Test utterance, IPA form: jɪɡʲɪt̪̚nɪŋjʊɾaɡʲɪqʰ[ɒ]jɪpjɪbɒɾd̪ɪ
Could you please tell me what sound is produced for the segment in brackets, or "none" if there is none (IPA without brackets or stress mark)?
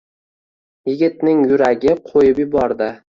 o